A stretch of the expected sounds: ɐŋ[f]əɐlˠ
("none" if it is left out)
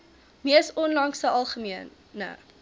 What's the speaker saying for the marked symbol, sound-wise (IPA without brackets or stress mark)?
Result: s